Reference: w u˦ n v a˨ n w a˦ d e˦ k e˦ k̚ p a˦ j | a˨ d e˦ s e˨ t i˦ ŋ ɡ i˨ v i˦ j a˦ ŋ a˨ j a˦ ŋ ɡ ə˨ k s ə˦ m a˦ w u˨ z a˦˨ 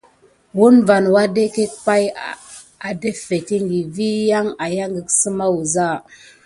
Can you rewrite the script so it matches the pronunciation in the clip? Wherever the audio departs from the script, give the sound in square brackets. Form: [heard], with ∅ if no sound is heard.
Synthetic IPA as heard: w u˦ n v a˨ n w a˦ d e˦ k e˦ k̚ p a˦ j | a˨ d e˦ [f] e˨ t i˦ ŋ ɡ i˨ v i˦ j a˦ ŋ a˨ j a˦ ŋ ɡ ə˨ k s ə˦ m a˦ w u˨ z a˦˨